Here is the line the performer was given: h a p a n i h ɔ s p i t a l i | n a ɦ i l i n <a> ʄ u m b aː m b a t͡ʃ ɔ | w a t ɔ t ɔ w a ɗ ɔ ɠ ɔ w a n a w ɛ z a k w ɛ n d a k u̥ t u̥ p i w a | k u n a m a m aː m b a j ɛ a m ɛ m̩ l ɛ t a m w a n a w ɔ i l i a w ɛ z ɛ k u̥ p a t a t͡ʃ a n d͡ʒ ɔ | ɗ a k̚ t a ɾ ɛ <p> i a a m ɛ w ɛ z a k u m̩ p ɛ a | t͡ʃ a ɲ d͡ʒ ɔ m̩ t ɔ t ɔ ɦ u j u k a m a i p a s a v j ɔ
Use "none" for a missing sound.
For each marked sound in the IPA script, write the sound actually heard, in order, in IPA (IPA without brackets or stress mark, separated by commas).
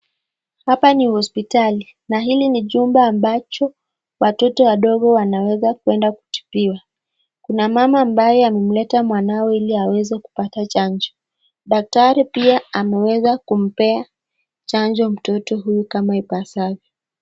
i, p